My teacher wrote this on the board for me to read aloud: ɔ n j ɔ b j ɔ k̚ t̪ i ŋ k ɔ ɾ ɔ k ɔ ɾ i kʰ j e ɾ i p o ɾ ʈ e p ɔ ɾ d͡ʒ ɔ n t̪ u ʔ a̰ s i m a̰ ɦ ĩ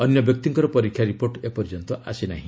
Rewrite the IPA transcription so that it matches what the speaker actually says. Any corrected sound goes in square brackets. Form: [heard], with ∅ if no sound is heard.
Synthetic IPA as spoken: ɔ n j ɔ b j ɔ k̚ t̪ i ŋ k ɔ ɾ ɔ [p] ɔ ɾ i kʰ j [a] ɾ i p o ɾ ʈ e p ɔ ɾ d͡ʒ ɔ n t̪ [ɔ] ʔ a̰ s i [n] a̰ ɦ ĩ